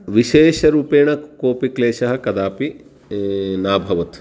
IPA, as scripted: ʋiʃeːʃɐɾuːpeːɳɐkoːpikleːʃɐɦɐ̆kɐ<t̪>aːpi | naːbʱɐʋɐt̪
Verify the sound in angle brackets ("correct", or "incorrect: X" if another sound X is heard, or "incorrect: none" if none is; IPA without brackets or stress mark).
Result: incorrect: d̪